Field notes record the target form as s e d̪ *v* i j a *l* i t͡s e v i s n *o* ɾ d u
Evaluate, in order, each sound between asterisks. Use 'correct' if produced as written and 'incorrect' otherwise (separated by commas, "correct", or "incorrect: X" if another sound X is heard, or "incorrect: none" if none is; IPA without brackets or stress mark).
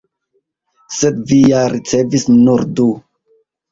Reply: correct, incorrect: ɾ, incorrect: u